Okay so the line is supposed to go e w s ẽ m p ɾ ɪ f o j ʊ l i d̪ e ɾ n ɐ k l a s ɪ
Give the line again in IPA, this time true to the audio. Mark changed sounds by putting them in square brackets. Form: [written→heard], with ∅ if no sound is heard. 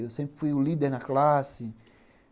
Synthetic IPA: e w s ẽ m p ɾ ɪ f [o→u] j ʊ l i d̪ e ɾ n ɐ k l a s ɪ